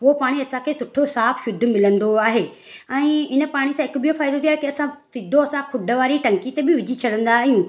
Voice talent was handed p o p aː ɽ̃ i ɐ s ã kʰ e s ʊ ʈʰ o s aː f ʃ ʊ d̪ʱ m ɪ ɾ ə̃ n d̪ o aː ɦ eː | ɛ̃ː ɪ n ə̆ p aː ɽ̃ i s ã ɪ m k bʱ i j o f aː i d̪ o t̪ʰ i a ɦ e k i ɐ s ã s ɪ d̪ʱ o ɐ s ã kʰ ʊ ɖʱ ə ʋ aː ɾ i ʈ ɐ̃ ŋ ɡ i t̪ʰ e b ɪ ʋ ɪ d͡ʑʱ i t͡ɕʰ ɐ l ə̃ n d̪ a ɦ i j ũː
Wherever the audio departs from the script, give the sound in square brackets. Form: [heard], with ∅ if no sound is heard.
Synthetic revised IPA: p o p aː ɽ̃ i ɐ s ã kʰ e s ʊ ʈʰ o s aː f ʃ ʊ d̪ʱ m ɪ [l] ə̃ n d̪ o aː ɦ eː | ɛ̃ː ɪ n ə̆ p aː ɽ̃ i s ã ɪ [∅] k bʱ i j o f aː [ɪ] d̪ o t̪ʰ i a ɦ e k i ɐ s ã s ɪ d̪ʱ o ɐ s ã kʰ ʊ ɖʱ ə ʋ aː ɾ i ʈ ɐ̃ ŋ [k] i [t̪] e b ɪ ʋ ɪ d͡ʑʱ i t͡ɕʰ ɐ [ɽ] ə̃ n d̪ a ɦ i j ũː